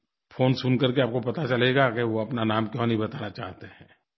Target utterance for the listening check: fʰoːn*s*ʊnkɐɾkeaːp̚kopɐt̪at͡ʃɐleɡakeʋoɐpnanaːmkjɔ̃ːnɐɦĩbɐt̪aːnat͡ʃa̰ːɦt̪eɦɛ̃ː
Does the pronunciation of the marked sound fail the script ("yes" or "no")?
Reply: no